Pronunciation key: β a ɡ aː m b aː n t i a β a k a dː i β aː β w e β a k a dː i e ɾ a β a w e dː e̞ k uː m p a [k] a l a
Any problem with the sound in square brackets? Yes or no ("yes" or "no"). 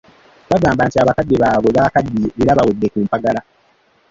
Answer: yes